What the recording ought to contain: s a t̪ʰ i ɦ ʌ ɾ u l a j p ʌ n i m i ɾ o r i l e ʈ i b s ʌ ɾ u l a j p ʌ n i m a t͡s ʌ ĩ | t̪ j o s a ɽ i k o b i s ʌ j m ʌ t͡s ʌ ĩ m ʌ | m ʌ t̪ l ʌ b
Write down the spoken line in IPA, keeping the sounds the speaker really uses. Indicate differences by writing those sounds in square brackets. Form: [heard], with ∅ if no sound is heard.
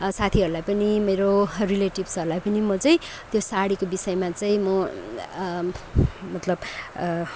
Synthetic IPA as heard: s a t̪ʰ i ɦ ʌ ɾ u l a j p ʌ n i m [e] ɾ o r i l e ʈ i b s ʌ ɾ u l a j p ʌ n i m [ʌ] t͡s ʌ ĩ | t̪ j o s a ɽ i k o b i s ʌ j m [a] t͡s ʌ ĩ m ʌ | m ʌ t̪ l ʌ b